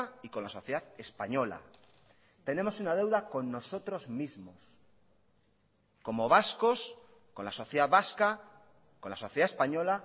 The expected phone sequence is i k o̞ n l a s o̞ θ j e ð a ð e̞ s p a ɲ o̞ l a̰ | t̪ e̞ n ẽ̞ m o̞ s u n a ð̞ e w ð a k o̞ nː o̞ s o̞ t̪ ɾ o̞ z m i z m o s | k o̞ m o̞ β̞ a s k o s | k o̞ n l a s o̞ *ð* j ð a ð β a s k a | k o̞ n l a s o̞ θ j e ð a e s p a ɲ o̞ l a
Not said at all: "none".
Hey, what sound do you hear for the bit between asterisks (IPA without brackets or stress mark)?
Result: θ